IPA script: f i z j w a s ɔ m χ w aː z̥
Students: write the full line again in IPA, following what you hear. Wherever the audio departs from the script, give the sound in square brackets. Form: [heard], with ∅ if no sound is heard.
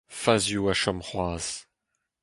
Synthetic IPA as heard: f [a] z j [u] a [ʃ] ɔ m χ w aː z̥